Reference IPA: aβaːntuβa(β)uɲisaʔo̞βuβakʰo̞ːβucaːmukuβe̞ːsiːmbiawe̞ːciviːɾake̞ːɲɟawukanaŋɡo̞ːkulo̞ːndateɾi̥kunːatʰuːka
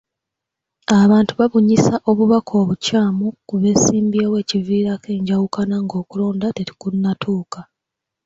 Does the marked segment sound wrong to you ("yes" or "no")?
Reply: no